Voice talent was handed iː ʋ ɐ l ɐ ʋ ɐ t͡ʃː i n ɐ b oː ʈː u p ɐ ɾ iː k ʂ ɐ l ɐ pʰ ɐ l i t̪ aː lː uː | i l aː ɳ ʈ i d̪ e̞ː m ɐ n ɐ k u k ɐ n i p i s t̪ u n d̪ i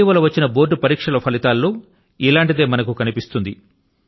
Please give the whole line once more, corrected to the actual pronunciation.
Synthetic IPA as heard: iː ʋ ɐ l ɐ ʋ ɐ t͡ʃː i n ɐ b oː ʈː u p ɐ ɾ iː k ʂ ɐ l ɐ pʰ ɐ l i t̪ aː lː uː | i l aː ɳ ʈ i d̪ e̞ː m ɐ n ɐ k u k ɐ n i p i s t̪ u n d̪ i